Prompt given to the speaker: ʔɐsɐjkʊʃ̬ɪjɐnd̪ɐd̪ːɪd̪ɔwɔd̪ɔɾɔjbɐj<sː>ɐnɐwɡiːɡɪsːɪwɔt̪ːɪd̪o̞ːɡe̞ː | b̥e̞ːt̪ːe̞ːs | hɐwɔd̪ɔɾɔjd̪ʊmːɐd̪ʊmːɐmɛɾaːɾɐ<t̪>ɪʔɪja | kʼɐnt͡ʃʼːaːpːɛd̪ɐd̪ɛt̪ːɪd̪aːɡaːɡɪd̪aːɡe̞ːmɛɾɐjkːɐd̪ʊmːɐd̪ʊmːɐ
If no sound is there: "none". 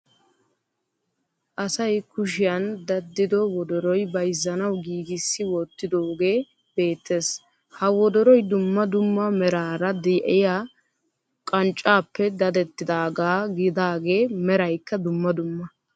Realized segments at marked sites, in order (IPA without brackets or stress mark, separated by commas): zː, d̪